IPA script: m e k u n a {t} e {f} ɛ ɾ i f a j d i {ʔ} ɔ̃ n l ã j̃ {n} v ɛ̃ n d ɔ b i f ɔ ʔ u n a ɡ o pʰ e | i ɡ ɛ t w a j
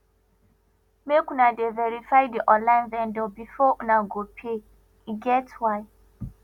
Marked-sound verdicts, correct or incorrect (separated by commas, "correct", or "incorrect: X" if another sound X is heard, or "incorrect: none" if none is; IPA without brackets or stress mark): incorrect: d, incorrect: v, correct, correct